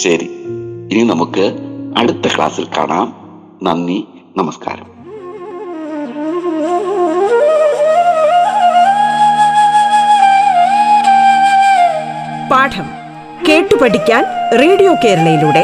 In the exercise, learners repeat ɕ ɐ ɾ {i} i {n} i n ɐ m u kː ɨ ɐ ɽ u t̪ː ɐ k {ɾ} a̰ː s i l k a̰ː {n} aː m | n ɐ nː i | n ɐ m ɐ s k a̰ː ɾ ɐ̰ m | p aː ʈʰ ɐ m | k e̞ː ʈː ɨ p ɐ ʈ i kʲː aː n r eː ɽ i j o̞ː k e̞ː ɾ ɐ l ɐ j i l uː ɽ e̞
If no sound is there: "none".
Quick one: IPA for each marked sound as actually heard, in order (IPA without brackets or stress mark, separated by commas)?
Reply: i, n, ɭ, ɳ